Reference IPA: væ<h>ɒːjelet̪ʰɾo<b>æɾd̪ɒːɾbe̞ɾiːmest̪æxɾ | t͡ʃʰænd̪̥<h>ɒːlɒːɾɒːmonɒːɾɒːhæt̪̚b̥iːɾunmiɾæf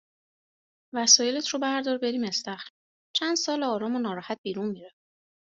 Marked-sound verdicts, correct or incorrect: incorrect, correct, incorrect

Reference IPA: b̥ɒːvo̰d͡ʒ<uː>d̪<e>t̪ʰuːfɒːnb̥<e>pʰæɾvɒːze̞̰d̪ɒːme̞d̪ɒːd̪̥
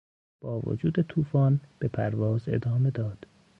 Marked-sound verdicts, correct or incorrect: correct, correct, correct

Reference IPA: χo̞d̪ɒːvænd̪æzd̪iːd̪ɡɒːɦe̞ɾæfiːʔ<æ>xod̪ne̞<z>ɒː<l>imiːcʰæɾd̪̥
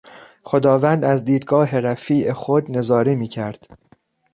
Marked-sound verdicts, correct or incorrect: incorrect, correct, incorrect

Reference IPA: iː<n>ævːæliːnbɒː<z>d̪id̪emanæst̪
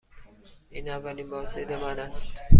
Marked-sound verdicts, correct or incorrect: correct, correct

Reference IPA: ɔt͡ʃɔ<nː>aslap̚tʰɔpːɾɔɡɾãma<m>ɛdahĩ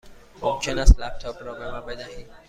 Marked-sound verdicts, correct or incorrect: incorrect, incorrect

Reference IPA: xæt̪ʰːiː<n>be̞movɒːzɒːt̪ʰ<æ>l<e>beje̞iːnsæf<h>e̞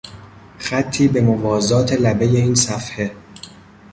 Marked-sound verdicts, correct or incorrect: incorrect, incorrect, incorrect, correct

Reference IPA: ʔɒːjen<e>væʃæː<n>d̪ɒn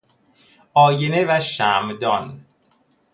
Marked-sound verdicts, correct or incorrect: correct, incorrect

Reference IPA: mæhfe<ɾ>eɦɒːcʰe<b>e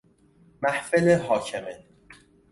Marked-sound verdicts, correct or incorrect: incorrect, incorrect

